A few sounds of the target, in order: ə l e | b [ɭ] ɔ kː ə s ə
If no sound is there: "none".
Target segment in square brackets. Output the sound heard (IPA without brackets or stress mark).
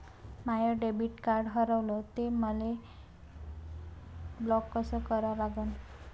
l